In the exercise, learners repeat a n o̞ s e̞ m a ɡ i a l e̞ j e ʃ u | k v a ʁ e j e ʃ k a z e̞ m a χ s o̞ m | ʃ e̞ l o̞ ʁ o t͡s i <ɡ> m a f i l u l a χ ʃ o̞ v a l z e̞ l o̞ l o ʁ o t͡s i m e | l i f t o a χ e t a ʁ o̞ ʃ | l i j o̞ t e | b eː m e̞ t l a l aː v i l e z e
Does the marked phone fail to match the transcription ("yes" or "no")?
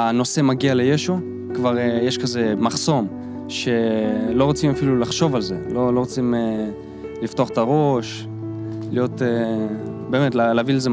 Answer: yes